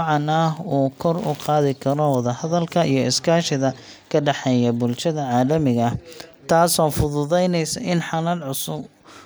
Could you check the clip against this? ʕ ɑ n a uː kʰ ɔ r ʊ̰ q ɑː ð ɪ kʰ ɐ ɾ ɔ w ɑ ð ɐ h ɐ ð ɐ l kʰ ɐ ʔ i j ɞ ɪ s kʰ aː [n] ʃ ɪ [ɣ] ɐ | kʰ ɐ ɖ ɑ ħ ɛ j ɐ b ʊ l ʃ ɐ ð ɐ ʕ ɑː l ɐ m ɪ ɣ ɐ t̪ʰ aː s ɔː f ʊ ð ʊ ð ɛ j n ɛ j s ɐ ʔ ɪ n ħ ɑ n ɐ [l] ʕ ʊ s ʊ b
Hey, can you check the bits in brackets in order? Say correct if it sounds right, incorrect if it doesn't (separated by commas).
incorrect, incorrect, correct